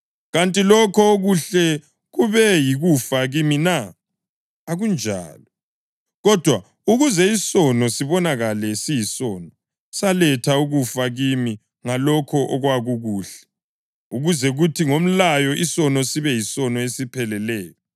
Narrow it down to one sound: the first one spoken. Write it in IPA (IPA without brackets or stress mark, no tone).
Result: ɣ